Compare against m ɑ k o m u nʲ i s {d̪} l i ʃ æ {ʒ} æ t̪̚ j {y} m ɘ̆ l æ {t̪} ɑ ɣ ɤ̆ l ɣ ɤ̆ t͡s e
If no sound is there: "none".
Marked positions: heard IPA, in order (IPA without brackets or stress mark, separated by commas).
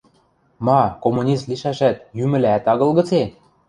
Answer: t̪, ʃ, y, t̪